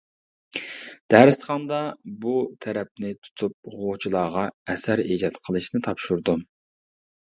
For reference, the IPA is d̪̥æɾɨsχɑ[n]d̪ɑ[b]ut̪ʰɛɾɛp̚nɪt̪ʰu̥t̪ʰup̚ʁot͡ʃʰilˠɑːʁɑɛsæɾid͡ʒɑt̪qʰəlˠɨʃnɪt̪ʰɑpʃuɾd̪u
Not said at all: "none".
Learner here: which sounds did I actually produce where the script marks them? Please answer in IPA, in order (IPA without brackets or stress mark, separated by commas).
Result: n, b